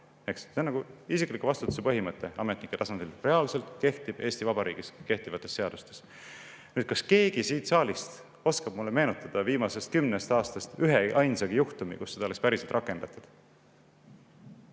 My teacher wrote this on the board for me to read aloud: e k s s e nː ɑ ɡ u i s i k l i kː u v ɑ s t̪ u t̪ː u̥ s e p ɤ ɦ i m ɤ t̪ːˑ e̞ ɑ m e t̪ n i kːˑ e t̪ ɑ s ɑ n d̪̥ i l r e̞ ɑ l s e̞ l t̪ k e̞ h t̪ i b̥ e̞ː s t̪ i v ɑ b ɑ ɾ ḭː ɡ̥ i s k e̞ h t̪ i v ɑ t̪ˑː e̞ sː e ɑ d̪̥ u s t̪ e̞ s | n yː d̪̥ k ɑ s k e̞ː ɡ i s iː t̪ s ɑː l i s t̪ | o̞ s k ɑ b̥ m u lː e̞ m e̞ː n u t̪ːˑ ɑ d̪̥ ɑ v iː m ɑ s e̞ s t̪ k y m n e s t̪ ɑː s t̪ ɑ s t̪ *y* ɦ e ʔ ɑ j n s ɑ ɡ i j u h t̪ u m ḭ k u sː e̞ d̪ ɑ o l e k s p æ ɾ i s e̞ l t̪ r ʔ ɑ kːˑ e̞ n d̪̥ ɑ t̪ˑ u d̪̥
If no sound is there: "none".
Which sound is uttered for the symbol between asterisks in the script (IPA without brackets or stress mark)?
y